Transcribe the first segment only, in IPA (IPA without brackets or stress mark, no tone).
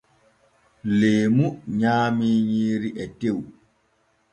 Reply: l